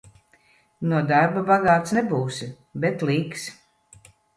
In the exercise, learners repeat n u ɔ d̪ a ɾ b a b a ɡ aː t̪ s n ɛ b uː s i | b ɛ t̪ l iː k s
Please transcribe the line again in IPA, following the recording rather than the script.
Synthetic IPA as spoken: n u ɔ d̪ a ɾ b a b a ɡ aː t̪ s n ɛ b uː s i | b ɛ t̪ l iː k s